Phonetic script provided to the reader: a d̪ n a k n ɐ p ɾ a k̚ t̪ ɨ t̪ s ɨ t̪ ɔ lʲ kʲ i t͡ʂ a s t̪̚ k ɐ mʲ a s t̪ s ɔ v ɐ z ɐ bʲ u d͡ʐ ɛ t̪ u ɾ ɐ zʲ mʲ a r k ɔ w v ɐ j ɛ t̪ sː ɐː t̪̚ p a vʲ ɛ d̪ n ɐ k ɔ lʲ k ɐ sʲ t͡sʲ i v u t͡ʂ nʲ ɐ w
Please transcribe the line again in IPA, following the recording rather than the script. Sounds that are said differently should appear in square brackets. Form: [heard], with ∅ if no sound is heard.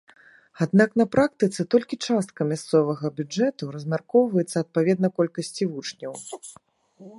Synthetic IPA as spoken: a d̪ n a k n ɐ p ɾ a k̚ t̪ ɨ t̪ s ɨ t̪ ɔ lʲ kʲ i t͡ʂ a s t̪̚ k ɐ mʲ a s t̪ s ɔ v ɐ [ɣ] ɐ bʲ u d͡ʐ ɛ t̪ u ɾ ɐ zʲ mʲ a r k ɔ w v ɐ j ɛ t̪ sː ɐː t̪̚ p a vʲ ɛ d̪ n ɐ k ɔ lʲ k ɐ sʲ t͡sʲ i v u t͡ʂ nʲ ɐ w